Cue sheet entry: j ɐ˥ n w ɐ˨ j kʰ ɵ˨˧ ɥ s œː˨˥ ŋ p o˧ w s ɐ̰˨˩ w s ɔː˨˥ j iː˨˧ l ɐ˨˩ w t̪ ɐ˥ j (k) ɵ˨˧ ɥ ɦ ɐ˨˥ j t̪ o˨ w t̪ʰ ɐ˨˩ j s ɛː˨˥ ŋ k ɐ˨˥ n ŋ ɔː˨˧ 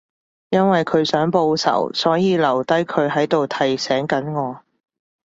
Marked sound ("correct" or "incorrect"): incorrect